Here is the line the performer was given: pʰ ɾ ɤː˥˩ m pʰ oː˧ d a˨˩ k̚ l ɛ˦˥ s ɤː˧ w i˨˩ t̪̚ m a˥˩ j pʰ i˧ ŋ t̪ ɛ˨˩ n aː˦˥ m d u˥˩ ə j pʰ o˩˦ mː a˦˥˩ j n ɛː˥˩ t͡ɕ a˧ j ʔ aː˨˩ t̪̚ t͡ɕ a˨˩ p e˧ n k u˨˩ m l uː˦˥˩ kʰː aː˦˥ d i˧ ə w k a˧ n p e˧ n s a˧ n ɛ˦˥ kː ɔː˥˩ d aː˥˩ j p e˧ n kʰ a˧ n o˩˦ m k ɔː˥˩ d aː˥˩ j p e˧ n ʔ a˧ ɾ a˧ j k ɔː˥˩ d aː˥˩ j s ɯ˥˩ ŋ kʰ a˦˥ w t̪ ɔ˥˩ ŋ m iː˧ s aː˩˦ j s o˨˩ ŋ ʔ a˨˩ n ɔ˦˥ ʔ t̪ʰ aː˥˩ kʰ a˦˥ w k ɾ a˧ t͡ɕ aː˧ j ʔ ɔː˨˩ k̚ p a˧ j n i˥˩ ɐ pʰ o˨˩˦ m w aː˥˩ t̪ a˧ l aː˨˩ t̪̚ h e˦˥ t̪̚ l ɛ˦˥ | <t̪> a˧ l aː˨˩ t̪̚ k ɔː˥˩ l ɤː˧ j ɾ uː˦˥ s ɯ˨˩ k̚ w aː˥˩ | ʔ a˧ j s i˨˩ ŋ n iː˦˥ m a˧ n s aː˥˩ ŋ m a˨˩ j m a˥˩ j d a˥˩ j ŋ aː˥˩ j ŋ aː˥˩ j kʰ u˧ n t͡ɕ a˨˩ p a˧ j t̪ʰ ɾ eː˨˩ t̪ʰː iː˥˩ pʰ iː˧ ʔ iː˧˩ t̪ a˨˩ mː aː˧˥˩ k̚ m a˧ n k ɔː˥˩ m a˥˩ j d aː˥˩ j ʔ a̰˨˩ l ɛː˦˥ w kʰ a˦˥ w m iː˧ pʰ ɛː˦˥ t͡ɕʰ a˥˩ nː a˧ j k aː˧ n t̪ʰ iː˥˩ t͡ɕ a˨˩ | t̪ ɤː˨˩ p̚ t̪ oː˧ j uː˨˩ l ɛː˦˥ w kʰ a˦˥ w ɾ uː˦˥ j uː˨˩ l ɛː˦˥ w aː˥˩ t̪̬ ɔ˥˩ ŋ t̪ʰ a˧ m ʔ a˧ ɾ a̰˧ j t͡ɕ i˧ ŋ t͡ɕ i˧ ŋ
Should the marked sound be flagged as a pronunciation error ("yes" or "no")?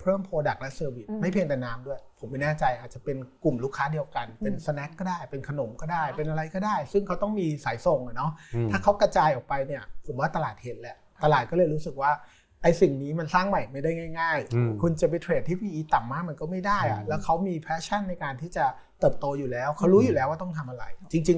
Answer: no